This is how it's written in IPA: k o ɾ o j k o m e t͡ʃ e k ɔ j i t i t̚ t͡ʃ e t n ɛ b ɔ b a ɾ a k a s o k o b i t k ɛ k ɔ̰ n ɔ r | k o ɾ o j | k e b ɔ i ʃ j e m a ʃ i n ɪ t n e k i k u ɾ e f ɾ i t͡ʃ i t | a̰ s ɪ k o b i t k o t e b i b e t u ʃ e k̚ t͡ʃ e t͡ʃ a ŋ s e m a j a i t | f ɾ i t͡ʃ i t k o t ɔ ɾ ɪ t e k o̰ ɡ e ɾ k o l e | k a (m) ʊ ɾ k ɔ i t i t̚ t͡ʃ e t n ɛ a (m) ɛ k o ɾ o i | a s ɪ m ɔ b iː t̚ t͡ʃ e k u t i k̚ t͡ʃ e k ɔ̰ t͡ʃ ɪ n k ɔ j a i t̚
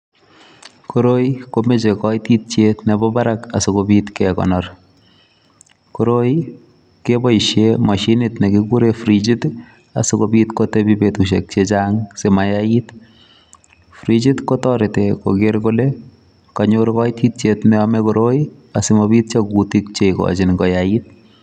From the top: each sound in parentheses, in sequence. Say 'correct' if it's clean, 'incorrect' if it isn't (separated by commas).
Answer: incorrect, correct